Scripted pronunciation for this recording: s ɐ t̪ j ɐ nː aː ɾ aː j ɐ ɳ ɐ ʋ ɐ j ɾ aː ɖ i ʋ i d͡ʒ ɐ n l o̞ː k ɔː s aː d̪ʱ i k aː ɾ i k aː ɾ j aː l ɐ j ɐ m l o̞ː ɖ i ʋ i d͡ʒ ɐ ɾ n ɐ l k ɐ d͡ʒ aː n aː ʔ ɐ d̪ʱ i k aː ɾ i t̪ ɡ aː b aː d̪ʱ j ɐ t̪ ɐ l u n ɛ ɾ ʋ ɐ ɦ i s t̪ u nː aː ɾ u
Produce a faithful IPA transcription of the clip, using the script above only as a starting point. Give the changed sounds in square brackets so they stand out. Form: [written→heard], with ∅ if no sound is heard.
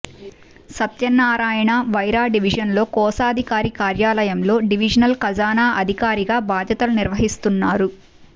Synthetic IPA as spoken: s ɐ t̪ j ɐ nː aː ɾ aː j ɐ ɳ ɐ ʋ ɐ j ɾ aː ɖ i ʋ i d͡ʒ ɐ n l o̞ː k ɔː s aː d̪ʱ i k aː ɾ i k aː ɾ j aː l ɐ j ɐ m l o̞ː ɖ i ʋ i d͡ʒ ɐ [ɾ→∅] n ɐ l k ɐ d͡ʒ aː n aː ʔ ɐ d̪ʱ i k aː ɾ i [t̪→∅] ɡ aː b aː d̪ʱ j ɐ t̪ ɐ l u n [ɛ→i] ɾ ʋ ɐ ɦ i s t̪ u nː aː ɾ u